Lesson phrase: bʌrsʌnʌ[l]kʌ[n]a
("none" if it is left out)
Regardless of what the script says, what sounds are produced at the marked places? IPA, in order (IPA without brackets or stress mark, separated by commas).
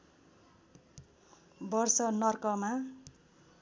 r, m